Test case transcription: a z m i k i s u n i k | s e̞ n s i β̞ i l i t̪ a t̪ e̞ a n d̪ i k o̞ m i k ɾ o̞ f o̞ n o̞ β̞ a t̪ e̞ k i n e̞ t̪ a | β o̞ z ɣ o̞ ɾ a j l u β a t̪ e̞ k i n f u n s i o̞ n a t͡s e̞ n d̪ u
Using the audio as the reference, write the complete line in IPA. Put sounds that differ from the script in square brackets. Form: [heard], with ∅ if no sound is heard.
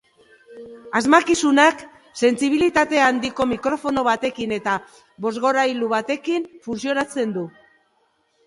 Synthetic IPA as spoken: a z m [a] k i s u n [a] k | s e̞ n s i β̞ i l i t̪ a t̪ e̞ a n d̪ i k o̞ m i k ɾ o̞ f o̞ n o̞ β̞ a t̪ e̞ k i n e̞ t̪ a | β o̞ z ɣ o̞ ɾ a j l u β a t̪ e̞ k i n f u n s i o̞ n a t͡s e̞ n d̪ u